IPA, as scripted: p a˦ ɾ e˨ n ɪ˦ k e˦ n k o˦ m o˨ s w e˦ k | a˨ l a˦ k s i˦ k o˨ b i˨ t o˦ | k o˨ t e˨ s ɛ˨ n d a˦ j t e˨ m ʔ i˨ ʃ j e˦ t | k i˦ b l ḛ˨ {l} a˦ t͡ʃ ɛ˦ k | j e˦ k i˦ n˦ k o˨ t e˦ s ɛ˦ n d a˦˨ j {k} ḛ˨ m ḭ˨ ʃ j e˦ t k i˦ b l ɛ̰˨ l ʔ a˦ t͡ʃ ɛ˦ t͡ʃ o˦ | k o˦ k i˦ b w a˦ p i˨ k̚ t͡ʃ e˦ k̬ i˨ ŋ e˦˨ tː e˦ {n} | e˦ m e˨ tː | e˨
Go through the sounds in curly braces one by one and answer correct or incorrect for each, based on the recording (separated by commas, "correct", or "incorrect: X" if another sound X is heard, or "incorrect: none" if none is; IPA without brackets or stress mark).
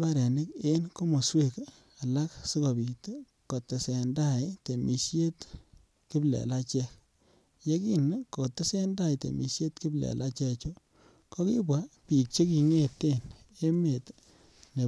correct, incorrect: t, correct